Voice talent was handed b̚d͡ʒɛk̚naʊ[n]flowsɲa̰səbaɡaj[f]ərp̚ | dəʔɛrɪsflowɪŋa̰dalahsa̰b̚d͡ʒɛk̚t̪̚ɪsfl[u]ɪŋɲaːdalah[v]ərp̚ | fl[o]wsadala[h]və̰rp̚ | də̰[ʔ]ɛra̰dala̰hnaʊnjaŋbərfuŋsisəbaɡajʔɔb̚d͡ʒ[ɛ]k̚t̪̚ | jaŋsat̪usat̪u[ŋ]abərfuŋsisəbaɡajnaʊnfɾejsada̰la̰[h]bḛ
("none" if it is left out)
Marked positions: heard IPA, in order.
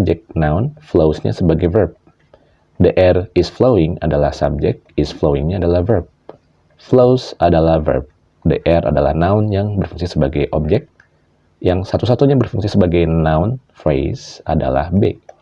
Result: n, v, o, v, o, h, ʔ, ɛ, ɲ, h

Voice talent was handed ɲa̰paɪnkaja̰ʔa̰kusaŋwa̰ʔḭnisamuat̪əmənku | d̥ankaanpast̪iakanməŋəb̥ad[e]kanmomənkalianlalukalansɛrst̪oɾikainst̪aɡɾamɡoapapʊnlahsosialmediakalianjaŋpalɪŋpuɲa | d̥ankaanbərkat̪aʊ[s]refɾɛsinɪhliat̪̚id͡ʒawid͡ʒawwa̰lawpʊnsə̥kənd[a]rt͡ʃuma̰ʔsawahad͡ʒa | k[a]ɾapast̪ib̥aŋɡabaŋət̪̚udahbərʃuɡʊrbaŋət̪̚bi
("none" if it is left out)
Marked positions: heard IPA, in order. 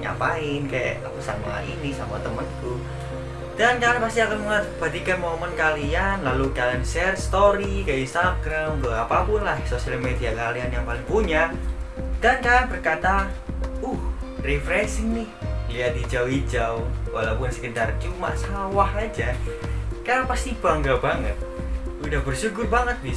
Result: i, h, a, a

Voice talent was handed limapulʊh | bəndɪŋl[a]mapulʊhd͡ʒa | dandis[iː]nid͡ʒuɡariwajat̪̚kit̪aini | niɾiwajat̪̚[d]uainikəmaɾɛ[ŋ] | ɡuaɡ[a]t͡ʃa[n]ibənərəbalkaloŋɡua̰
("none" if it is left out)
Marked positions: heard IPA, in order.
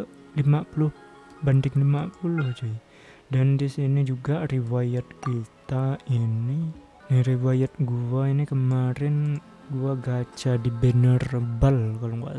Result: i, i, ɡ, n, a, d

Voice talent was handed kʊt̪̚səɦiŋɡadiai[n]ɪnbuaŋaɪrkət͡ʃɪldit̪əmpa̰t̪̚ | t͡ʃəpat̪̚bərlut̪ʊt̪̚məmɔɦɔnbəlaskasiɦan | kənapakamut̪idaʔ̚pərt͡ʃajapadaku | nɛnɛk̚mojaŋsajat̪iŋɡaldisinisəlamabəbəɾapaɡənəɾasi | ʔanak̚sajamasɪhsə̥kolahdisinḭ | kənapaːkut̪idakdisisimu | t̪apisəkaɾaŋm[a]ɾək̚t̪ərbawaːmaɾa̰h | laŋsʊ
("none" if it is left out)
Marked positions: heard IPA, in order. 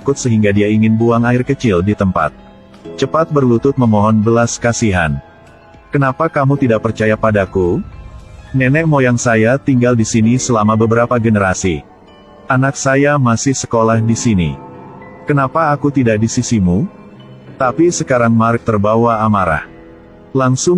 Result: ŋ, a

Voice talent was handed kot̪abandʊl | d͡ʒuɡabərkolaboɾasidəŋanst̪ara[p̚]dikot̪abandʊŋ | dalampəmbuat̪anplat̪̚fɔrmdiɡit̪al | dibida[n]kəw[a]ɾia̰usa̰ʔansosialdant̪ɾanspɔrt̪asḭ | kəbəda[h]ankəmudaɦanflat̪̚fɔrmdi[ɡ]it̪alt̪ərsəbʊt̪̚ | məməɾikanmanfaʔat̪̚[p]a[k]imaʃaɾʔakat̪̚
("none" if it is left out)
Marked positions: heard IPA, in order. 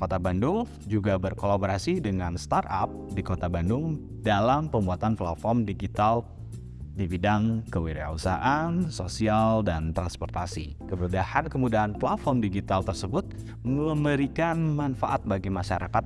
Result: p̚, ŋ, i, h, ɡ, b, ɡ

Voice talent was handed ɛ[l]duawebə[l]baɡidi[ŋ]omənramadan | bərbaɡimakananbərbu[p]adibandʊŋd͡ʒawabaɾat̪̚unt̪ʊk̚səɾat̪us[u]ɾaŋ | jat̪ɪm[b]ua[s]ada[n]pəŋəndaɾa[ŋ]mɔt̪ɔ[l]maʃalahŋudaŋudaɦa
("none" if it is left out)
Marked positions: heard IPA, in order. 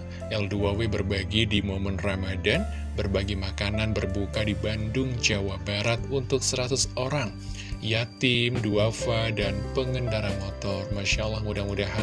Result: l, r, m, k, o, d, f, n, n, r

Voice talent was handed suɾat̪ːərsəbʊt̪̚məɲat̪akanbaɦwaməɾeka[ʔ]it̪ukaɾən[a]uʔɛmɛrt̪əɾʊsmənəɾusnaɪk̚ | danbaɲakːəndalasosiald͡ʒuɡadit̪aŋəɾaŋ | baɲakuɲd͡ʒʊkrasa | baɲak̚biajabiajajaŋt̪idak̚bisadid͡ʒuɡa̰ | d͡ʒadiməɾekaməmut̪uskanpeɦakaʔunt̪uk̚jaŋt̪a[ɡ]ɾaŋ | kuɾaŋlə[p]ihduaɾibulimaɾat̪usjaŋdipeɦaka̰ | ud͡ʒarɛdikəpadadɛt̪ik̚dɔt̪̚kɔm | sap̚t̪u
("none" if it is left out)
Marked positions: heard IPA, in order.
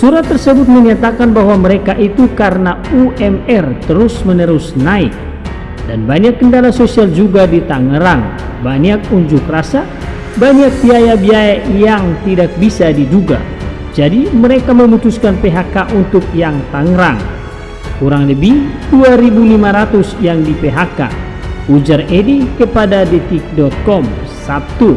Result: ʔ, a, ŋ, b

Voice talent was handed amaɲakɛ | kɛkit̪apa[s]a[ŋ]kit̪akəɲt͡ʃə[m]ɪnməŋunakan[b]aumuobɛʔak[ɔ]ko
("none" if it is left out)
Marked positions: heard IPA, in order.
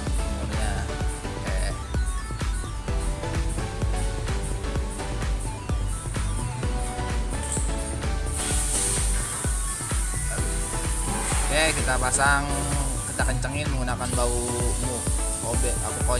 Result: s, ŋ, ŋ, b, u

